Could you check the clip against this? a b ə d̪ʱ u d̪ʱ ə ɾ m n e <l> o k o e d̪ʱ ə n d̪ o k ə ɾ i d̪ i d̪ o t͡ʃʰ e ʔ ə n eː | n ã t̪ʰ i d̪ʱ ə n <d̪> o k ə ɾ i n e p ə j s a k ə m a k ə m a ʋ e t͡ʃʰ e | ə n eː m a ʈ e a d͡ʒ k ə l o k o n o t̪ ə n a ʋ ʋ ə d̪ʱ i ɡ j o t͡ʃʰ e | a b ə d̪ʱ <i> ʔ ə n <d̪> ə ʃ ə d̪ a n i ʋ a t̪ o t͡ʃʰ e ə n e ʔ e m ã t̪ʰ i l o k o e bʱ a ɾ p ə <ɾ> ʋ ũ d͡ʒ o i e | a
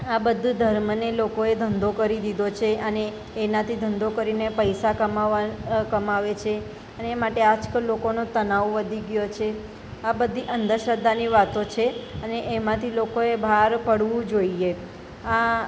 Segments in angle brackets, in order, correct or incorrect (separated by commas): correct, correct, correct, correct, incorrect